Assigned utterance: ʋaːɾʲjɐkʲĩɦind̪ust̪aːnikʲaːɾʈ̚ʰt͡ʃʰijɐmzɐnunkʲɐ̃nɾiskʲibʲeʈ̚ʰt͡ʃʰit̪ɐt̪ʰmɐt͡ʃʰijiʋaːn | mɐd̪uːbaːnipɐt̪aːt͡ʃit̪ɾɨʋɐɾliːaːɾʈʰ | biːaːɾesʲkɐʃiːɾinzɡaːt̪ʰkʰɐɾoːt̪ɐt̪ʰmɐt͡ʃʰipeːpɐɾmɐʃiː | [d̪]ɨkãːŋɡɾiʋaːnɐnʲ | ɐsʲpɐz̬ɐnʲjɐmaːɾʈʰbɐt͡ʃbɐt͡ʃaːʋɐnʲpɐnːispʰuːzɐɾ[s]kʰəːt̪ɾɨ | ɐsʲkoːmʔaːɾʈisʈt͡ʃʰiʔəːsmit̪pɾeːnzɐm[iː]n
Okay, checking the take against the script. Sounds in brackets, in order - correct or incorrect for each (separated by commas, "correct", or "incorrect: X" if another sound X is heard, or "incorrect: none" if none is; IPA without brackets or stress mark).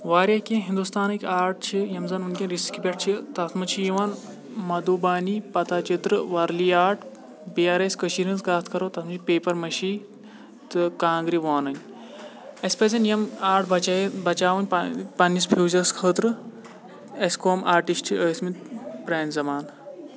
incorrect: t̪, correct, incorrect: aː